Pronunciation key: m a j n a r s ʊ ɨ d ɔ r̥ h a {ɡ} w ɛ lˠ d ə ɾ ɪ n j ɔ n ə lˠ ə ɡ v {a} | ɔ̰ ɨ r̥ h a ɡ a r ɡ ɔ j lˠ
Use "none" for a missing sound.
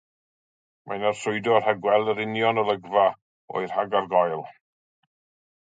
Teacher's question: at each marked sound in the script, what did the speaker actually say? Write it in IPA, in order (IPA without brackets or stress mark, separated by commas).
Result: ɡ, a